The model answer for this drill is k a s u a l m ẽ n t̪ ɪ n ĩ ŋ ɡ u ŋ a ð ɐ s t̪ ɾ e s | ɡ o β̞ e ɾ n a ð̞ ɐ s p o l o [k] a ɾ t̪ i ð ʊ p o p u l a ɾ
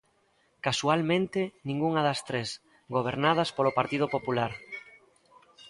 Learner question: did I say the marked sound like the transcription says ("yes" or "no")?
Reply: no